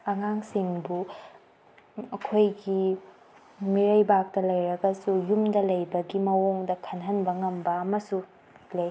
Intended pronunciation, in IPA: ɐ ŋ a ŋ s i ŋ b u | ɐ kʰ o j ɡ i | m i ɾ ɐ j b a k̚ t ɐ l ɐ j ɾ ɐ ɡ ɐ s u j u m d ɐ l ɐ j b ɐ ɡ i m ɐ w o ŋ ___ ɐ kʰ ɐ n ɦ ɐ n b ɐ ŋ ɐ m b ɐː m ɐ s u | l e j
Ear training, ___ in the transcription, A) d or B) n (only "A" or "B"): A